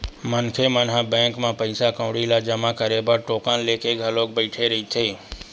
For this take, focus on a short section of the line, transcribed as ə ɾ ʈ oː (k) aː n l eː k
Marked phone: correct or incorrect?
correct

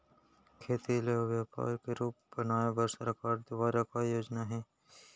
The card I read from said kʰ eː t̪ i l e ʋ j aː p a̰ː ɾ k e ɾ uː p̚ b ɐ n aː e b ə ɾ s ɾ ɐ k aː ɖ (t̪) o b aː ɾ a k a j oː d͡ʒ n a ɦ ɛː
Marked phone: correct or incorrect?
incorrect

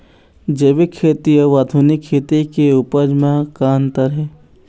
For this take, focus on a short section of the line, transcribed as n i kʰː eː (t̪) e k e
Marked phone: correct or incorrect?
correct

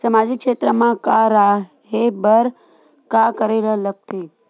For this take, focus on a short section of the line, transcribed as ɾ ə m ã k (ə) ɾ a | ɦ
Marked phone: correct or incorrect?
incorrect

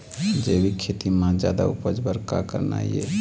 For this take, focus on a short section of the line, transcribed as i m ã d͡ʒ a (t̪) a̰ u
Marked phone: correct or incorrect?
incorrect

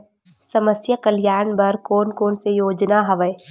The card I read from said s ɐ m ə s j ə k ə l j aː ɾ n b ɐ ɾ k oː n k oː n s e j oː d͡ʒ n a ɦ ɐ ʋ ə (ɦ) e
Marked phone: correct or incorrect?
incorrect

